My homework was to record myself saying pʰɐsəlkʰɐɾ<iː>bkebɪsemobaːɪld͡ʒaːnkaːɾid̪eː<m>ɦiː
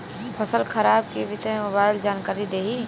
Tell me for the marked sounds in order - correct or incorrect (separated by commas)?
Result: incorrect, incorrect